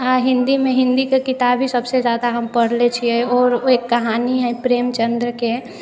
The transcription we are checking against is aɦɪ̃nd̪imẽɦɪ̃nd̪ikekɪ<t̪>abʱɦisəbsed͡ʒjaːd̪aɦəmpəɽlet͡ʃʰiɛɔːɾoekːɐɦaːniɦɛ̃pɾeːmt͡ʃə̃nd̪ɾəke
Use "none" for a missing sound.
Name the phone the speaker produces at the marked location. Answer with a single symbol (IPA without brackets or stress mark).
t̪